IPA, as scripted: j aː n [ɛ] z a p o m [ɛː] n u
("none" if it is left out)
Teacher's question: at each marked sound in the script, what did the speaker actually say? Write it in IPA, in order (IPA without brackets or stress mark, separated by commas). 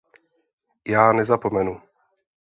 ɛ, ɛ